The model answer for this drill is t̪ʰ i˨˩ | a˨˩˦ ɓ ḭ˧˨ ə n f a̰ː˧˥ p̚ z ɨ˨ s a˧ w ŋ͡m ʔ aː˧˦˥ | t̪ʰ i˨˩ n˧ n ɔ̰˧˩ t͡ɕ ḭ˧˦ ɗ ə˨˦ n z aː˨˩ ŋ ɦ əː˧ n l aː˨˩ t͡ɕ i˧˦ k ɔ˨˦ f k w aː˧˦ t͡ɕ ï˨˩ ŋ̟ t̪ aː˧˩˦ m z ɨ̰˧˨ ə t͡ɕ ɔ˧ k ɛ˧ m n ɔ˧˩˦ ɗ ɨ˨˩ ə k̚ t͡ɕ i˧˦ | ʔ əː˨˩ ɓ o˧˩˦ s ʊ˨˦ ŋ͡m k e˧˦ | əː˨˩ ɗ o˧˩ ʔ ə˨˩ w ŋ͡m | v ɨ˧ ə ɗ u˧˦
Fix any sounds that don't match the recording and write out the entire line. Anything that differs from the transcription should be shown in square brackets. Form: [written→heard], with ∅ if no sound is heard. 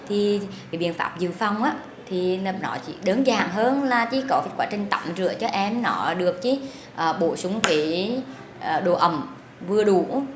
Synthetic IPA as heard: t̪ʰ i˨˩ | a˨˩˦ ɓ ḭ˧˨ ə n f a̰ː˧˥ p̚ z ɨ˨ [s→f] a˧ w ŋ͡m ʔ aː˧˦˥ | t̪ʰ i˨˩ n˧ n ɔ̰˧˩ t͡ɕ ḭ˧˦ ɗ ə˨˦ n z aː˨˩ ŋ ɦ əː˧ n l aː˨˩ t͡ɕ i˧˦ k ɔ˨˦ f k w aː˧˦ t͡ɕ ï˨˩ ŋ̟ t̪ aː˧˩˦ m z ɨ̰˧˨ ə t͡ɕ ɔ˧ [k→ʔ] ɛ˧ m n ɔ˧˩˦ ɗ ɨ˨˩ ə k̚ t͡ɕ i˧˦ | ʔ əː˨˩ ɓ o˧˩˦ s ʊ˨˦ ŋ͡m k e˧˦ | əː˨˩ ɗ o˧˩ ʔ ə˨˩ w ŋ͡m | v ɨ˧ ə ɗ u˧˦